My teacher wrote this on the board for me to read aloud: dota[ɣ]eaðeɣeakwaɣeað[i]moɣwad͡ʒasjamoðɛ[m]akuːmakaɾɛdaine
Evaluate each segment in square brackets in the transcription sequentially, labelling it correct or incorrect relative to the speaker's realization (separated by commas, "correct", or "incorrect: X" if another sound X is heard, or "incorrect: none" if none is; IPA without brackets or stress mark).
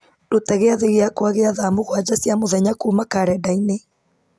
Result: correct, incorrect: a, incorrect: ɲ